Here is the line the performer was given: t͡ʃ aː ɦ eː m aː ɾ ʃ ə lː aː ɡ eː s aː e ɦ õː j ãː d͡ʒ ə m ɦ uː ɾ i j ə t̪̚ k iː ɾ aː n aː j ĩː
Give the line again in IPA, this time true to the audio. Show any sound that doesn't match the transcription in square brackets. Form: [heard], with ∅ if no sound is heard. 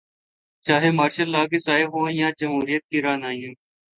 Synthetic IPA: t͡ʃ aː ɦ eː m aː ɾ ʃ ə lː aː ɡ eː s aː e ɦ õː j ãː d͡ʒ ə m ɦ uː ɾ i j ə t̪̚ k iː ɾ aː n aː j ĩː

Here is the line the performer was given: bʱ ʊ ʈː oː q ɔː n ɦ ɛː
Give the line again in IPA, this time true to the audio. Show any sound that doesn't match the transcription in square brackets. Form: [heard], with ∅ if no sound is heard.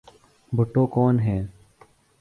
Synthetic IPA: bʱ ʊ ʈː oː [k] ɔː n ɦ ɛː

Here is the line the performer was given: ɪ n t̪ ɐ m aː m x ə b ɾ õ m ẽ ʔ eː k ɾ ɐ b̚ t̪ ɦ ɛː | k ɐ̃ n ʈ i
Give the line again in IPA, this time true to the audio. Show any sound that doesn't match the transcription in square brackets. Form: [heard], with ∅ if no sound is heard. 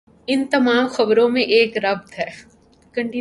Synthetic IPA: ɪ n t̪ ɐ m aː m x [ɐ] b ɾ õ m ẽ ʔ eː k ɾ ɐ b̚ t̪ ɦ ɛː | k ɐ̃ [ɳ] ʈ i

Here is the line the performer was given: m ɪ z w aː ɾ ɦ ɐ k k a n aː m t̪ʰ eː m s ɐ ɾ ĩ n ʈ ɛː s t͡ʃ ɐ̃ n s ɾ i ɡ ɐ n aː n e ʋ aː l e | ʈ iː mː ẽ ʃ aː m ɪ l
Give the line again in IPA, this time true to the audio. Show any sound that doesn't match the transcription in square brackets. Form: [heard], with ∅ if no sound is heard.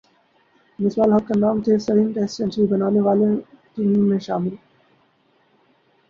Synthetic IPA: m ɪ [s] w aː [l] ɦ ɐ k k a n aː m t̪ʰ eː [∅] s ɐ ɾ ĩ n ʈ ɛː s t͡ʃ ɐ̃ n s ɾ i [b] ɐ n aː n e ʋ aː l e | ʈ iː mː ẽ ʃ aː m ɪ l

